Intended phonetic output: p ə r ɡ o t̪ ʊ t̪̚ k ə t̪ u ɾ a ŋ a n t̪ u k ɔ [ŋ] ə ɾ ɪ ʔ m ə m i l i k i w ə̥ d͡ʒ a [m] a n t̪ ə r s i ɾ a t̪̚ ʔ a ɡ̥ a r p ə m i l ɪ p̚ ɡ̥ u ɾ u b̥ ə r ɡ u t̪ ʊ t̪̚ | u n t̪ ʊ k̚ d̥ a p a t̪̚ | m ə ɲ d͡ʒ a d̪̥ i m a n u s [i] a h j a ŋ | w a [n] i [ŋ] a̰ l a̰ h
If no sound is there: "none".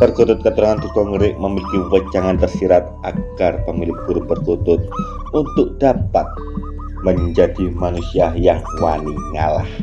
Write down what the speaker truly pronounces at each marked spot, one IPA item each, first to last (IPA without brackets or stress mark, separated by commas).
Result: ŋ, ŋ, i, n, ŋ